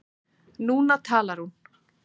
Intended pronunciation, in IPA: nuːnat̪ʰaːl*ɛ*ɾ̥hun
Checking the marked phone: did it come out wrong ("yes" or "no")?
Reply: yes